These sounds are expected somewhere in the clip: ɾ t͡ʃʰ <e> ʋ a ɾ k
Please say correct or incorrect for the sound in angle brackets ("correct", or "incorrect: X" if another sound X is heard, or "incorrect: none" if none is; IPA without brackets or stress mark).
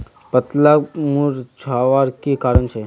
incorrect: a